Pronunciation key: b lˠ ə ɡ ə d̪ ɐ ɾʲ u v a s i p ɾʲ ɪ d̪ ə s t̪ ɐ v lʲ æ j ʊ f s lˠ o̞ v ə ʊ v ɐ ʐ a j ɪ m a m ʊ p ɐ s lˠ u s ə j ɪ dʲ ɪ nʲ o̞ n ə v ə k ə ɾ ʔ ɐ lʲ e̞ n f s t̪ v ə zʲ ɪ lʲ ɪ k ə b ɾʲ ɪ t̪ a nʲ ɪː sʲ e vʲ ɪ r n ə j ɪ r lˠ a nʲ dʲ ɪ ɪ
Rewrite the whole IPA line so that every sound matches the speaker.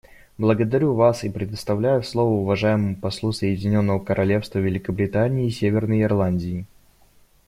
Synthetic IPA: b lˠ ə ɡ ə d̪ ɐ ɾʲ u v a s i p ɾʲ ɪ d̪ ə s t̪ ɐ v lʲ æ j ʊ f s lˠ o̞ v ə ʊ v ɐ ʐ a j ɪ m ə m ʊ p ɐ s lˠ u s ə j ɪ dʲ ɪ nʲ o̞ nː ə v ə k ə ɾ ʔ ɐ lʲ e̞ f s t̪ v ə vʲ ɪ lʲ ɪ k ə b ɾʲ ɪ t̪ a nʲ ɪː sʲ e vʲ ɪ r n ə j ɪ r lˠ a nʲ dʲ ɪ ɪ